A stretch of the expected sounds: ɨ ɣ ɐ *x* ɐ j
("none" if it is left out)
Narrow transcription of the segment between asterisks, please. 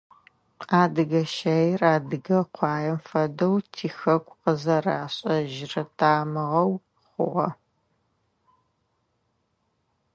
ʃ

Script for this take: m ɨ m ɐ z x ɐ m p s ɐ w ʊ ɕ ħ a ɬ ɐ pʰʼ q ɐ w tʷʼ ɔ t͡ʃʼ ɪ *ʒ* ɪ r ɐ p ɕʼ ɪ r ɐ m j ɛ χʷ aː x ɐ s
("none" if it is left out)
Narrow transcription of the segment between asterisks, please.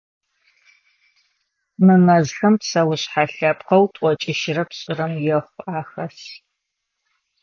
ʃ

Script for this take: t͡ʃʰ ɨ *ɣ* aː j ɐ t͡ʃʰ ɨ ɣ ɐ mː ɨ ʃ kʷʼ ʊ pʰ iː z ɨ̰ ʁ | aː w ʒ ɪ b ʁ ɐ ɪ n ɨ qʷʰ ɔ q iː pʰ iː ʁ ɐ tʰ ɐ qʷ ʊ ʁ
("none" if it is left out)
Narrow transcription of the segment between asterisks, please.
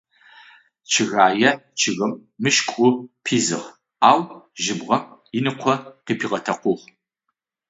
ɣ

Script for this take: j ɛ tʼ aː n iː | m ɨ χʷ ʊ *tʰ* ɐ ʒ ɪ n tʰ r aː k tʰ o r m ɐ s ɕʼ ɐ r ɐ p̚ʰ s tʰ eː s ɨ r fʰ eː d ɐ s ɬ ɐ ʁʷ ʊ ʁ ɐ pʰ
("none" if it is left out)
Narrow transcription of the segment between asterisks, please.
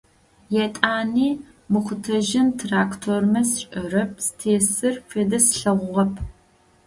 tʰ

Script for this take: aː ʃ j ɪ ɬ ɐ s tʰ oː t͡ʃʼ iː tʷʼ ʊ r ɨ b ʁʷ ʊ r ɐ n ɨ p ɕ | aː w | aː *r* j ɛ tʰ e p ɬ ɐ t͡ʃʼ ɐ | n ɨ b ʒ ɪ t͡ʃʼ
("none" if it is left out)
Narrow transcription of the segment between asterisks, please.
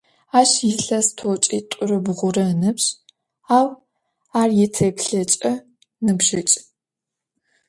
r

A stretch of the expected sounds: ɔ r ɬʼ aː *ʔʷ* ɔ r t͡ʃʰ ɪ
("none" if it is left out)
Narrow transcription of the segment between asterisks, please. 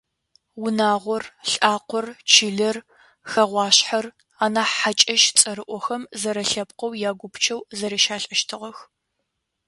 qʷ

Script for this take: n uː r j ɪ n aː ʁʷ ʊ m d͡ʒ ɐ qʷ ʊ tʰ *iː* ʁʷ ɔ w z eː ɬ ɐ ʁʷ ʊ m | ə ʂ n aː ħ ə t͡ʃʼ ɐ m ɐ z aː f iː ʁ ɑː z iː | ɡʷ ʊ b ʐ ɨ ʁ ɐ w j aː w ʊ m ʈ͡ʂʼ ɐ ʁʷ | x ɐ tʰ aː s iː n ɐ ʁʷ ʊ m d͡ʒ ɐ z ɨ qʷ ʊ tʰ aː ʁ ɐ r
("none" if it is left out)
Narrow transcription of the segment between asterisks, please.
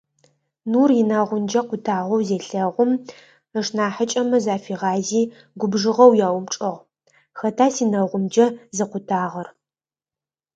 aː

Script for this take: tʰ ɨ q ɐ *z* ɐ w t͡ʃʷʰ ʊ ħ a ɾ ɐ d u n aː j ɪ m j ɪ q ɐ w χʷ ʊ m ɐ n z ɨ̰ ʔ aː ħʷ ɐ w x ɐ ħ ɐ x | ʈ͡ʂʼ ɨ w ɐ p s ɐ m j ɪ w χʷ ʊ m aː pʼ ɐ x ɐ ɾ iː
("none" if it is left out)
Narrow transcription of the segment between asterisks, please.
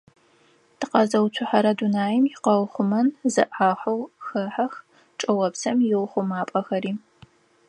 z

